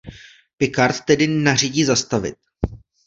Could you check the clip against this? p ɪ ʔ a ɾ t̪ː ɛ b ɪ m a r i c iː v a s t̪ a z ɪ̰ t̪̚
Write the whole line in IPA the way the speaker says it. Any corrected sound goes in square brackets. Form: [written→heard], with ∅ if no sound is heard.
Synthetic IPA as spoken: p ɪ [ʔ→k] a ɾ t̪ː ɛ [b→d] ɪ [m→n] a r i [c→ɟ] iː [v→z] a s t̪ a [z→v] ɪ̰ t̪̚